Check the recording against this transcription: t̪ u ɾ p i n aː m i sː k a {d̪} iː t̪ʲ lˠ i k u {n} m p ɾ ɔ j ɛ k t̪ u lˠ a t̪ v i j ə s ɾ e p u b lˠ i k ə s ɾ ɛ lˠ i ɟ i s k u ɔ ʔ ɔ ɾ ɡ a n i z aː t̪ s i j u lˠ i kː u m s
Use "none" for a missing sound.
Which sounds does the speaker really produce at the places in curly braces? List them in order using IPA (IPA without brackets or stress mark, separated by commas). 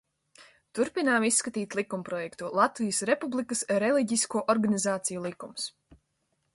t̪, none